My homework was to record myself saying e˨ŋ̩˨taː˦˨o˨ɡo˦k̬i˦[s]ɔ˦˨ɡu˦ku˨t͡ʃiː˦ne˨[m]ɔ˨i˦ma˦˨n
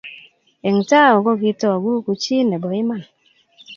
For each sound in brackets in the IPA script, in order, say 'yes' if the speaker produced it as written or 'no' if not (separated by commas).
no, no